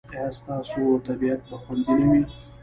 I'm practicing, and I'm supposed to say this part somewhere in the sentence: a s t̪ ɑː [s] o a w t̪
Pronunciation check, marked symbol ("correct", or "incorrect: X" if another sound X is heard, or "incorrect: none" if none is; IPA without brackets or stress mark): correct